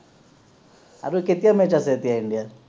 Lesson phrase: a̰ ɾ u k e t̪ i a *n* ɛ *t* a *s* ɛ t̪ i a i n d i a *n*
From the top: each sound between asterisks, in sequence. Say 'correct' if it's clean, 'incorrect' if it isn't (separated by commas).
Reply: incorrect, incorrect, correct, incorrect